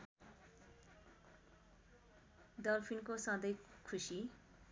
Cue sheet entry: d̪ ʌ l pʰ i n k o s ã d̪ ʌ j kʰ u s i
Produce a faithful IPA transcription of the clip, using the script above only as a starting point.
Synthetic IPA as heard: d̪ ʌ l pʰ i n k o s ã d̪ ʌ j kʰ u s i